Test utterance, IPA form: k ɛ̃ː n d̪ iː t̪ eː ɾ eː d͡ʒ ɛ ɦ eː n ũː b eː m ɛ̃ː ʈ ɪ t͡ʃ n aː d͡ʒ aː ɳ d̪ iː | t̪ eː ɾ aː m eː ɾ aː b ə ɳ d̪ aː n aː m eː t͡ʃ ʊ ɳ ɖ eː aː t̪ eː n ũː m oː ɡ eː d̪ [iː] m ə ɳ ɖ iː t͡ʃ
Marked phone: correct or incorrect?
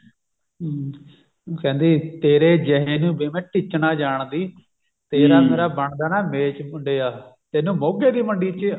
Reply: correct